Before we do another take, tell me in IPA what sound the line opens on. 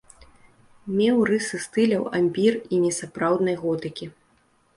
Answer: mʲ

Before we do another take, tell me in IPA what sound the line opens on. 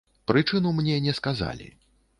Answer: p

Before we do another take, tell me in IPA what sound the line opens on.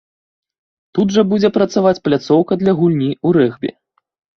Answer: t̪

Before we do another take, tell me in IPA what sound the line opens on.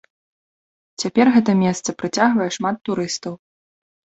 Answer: t͡sʲ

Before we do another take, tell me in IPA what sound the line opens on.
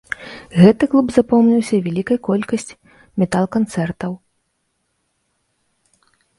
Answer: ɣ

